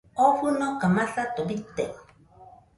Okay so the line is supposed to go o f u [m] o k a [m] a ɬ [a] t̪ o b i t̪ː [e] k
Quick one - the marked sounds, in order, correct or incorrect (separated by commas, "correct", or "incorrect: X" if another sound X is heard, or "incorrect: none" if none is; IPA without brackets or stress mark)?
incorrect: n, correct, correct, correct